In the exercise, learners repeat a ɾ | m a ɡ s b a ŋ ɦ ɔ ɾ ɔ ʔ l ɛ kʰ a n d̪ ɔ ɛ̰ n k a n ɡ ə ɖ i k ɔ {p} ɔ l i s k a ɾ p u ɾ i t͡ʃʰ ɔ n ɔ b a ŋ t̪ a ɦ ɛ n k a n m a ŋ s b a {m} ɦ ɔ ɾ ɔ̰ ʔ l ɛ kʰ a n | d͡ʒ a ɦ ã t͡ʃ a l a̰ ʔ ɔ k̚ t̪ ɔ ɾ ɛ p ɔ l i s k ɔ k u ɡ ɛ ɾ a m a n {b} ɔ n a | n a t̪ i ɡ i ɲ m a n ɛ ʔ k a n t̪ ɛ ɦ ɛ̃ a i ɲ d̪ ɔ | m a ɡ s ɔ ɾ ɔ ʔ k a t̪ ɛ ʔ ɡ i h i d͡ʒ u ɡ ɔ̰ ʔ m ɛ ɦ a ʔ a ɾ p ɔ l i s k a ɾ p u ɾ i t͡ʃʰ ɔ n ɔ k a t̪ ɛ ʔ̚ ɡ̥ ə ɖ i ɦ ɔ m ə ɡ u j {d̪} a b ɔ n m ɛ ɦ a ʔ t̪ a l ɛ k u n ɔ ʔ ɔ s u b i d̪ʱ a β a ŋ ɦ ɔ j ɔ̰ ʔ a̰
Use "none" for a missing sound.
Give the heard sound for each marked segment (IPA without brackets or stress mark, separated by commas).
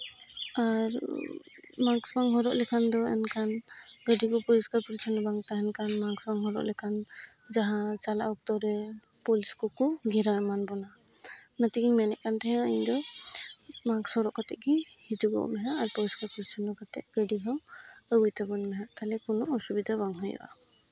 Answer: p, ŋ, b, t̪